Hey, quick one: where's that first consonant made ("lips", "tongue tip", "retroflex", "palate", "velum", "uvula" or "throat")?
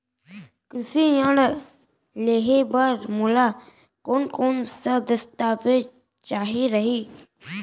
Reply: velum